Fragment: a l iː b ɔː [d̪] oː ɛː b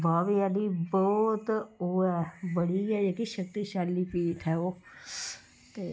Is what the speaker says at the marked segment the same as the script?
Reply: no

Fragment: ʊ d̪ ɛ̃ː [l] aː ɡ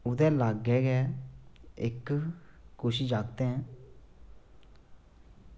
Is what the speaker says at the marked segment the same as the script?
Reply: yes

